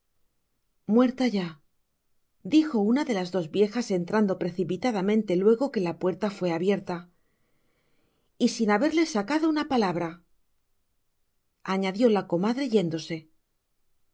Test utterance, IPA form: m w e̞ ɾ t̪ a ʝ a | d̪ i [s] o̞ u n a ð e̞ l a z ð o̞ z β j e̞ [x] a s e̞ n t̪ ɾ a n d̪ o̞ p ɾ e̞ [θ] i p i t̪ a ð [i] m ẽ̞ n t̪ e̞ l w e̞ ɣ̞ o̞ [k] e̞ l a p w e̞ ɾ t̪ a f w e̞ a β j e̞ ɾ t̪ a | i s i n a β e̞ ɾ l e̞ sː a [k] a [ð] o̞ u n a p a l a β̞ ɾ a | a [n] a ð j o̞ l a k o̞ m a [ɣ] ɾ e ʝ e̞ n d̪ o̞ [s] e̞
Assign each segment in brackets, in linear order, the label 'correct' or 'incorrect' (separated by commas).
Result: incorrect, correct, correct, incorrect, correct, correct, correct, incorrect, incorrect, correct